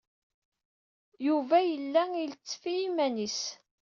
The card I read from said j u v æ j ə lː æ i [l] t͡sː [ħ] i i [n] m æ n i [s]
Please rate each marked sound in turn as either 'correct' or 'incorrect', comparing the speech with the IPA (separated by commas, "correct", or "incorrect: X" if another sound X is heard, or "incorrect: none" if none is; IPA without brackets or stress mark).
correct, incorrect: f, incorrect: none, correct